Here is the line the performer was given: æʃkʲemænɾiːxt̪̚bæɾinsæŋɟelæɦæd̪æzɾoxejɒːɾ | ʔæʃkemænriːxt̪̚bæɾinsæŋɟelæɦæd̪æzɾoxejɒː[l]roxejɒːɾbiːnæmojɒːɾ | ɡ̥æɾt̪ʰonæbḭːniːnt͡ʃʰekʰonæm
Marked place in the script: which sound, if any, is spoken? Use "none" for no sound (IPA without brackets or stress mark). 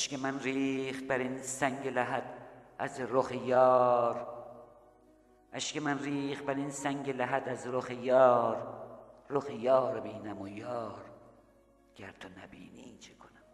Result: ɾ